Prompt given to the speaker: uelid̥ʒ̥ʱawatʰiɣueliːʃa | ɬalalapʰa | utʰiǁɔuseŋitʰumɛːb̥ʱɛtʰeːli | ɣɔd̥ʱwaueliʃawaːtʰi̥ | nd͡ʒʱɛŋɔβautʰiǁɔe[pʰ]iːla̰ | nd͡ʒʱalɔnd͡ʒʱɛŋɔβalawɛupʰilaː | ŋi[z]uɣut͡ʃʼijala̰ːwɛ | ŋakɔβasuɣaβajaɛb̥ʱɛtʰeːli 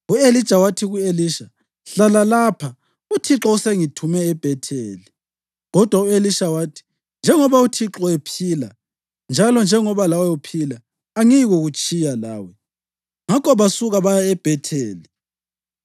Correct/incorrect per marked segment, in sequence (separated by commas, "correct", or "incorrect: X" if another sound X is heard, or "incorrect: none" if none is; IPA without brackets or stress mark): correct, incorrect: ɣ